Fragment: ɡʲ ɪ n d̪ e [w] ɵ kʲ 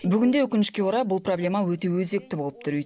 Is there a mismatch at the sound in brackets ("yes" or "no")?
no